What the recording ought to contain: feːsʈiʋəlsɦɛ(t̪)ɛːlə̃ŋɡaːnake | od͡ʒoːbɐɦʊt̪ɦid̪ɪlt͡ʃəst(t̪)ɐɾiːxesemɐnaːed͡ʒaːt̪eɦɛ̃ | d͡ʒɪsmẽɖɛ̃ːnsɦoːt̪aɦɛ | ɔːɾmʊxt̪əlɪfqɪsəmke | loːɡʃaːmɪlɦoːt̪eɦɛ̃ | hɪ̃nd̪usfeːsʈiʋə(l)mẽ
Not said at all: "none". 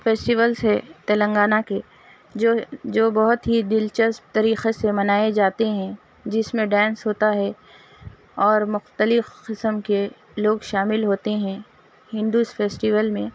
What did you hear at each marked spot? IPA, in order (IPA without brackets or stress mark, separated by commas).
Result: t̪, t̪, l